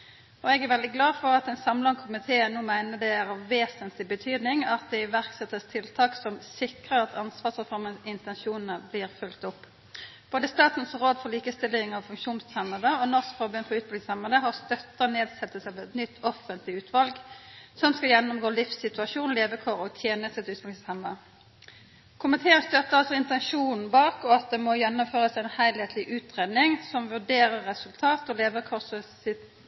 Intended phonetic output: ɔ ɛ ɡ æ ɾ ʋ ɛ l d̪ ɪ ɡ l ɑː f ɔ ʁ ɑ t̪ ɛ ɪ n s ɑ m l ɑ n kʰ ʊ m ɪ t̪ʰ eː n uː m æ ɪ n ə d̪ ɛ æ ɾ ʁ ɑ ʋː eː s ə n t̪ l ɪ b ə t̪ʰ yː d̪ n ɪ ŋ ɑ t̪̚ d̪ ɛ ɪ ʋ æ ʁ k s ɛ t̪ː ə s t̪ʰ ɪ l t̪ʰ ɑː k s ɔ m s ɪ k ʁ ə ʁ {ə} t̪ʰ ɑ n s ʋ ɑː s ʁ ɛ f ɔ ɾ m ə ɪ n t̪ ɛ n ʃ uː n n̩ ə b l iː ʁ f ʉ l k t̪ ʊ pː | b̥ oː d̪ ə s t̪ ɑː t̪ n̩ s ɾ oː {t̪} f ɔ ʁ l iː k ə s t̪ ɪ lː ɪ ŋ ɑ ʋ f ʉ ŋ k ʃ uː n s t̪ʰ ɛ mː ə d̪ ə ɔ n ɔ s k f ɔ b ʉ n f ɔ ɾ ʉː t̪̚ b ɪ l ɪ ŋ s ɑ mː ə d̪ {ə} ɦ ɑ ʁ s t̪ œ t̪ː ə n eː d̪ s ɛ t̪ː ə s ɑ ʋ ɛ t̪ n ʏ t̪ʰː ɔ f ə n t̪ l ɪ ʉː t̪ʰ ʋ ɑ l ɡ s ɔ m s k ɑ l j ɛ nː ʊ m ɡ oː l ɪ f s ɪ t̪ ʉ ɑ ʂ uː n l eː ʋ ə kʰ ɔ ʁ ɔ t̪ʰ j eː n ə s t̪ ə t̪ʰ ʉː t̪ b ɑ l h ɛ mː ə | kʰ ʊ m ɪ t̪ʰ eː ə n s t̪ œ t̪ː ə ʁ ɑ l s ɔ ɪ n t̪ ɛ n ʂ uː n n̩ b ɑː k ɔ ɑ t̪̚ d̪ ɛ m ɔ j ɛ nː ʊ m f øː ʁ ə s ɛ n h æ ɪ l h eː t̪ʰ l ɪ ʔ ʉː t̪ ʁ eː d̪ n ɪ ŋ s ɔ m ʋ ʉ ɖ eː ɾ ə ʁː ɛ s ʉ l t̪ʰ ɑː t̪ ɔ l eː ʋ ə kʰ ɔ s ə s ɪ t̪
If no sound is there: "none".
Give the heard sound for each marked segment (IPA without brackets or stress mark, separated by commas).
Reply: ɑ, d̪, ə